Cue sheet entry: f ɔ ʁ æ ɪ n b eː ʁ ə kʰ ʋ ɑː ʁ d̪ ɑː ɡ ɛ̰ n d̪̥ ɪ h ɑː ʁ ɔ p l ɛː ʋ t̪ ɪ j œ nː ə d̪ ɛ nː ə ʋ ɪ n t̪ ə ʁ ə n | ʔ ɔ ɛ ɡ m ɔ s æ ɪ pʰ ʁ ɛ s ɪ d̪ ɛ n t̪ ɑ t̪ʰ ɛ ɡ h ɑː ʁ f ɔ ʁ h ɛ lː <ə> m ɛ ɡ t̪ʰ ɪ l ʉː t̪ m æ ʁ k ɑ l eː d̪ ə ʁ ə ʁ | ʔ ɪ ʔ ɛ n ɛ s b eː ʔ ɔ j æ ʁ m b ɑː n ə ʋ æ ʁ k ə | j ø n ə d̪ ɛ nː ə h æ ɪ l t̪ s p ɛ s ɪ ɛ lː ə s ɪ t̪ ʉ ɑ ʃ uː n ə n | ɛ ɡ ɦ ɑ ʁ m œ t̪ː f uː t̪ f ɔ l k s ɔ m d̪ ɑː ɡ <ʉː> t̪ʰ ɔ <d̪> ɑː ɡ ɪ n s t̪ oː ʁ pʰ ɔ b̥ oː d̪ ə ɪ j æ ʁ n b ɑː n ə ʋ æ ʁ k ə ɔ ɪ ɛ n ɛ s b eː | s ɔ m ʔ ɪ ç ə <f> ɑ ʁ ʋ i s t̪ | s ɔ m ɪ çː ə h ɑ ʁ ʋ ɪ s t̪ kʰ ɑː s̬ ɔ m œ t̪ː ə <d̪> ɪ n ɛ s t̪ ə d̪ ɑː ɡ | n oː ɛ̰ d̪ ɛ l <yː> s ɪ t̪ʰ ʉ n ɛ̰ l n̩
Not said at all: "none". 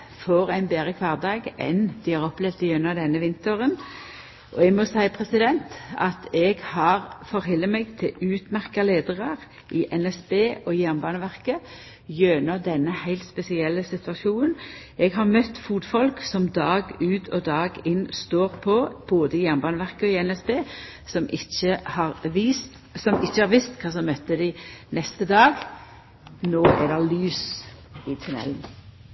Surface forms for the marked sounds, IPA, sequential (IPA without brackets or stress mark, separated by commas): ə, ʉː, d̪, h, d̪, yː